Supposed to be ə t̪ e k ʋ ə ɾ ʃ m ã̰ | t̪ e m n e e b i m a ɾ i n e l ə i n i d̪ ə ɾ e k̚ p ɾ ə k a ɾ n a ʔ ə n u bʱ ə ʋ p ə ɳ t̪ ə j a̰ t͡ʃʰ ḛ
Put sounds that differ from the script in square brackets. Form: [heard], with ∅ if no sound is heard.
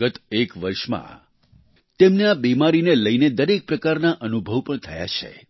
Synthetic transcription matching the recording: ə t̪ e k ʋ ə ɾ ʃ m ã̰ | t̪ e m n e [a] b i m a ɾ i n e l ə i n [e] d̪ ə ɾ e k̚ p ɾ ə k a ɾ n a ʔ ə n u bʱ ə ʋ p ə ɳ [t̪ʰ] ə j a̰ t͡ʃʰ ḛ